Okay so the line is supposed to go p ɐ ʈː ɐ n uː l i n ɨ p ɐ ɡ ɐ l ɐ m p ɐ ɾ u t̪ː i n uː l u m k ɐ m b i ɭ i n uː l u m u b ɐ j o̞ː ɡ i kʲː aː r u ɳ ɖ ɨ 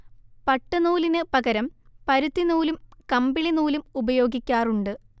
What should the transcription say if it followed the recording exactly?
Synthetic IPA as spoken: p ɐ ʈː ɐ n uː l i n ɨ p ɐ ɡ ɐ ɾ ɐ m p ɐ ɾ u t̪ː i n uː l u m k ɐ m b i ɭ i n uː l u m u b ɐ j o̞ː ɡ i kʲː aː r u ɳ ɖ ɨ